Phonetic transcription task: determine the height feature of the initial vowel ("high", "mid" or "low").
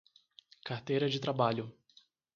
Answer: low